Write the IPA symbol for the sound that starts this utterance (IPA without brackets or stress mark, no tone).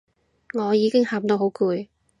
ŋ